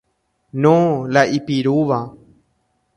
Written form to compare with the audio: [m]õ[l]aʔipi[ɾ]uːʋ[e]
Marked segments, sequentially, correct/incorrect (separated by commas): incorrect, correct, correct, incorrect